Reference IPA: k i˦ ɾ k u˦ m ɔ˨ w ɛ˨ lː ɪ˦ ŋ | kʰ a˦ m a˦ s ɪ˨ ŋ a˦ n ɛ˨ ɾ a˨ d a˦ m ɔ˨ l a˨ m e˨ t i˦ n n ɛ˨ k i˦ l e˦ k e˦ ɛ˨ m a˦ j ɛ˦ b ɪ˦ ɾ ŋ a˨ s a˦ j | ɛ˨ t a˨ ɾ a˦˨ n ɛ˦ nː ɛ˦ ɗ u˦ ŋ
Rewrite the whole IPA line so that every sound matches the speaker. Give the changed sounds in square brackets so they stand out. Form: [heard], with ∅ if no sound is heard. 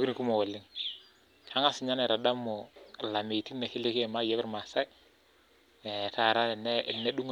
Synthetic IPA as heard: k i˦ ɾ k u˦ m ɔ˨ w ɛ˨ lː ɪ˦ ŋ | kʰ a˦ [ŋ] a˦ s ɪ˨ [ɲ] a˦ n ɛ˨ ɾ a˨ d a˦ m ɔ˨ l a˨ m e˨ t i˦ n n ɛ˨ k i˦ l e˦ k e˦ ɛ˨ m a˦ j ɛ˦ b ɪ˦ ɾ [m] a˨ s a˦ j | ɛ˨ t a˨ ɾ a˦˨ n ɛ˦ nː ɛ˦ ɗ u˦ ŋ